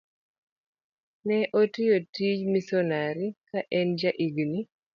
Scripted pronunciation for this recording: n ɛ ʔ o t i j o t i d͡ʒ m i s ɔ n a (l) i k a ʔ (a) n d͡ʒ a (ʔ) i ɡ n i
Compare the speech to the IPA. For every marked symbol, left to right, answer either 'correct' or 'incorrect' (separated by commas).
incorrect, incorrect, correct